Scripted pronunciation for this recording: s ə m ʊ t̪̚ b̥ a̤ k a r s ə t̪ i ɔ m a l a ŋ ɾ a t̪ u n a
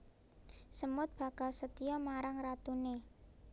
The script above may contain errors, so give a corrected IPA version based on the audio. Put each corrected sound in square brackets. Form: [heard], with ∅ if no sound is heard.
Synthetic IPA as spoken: s ə m ʊ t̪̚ b̥ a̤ k a [l] s ə t̪ i ɔ m a [ɾ] a ŋ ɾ a t̪ u n [e]